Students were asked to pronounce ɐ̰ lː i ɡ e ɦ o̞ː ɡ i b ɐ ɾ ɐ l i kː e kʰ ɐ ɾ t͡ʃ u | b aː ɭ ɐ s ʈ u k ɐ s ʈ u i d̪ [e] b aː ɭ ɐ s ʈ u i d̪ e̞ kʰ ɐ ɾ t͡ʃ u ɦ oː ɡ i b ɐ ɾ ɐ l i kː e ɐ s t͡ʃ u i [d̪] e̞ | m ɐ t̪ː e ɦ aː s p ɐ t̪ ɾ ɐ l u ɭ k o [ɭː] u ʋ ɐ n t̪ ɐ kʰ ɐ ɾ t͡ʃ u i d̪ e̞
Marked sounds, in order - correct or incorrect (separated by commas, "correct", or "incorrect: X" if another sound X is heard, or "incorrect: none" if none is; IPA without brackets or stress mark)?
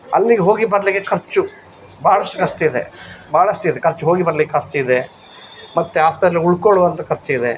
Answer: correct, correct, incorrect: ɭ